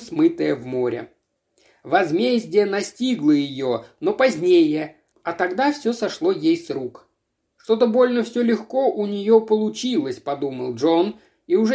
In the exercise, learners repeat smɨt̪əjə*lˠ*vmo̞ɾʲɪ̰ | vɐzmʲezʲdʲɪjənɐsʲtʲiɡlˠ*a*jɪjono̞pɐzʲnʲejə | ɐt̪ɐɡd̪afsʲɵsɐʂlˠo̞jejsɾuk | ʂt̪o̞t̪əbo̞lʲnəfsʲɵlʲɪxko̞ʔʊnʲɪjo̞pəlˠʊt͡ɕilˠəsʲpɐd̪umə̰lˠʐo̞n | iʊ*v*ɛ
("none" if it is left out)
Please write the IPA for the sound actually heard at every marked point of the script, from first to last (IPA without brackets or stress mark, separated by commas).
none, ə, ʐ